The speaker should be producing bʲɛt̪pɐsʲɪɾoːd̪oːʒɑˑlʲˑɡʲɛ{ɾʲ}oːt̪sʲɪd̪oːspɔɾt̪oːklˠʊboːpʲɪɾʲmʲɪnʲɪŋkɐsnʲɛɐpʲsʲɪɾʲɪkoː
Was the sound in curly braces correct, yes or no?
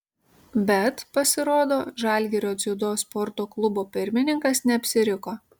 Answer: yes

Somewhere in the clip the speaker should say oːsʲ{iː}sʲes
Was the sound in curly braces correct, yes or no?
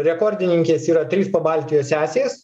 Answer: no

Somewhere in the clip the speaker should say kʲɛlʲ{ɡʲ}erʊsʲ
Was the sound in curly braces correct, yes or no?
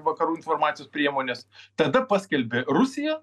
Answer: no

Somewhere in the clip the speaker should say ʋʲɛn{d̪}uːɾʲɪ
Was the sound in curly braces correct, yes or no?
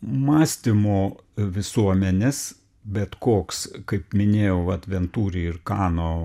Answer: no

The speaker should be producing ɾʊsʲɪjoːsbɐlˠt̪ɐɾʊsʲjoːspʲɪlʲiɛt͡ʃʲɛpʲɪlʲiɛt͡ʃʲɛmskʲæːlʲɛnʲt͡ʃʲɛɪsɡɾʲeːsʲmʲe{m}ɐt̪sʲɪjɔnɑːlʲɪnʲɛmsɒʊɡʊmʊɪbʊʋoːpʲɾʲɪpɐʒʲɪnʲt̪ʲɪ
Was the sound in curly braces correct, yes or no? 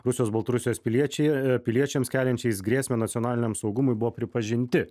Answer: no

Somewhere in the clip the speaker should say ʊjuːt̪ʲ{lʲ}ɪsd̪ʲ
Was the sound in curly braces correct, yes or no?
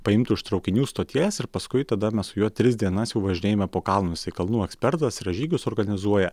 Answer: no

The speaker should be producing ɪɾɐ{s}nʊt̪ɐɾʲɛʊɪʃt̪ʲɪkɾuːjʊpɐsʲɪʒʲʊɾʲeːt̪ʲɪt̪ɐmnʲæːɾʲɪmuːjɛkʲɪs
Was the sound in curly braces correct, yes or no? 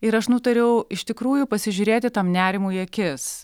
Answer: no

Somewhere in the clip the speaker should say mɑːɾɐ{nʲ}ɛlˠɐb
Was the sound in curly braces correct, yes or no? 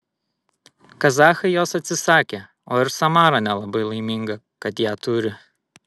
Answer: yes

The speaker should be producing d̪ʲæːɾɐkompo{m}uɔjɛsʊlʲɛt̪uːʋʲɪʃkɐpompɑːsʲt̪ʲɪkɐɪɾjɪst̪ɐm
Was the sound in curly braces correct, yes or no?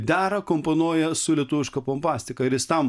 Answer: no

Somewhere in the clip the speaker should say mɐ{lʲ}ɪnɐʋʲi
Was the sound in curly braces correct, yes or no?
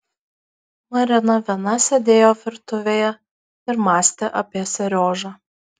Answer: no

